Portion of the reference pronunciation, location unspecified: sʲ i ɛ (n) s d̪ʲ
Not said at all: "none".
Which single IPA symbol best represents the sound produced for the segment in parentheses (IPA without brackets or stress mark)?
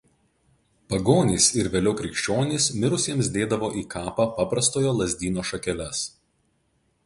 m